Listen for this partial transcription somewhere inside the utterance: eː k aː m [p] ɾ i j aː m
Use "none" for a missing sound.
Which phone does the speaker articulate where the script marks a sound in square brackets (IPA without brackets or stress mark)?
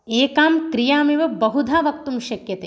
k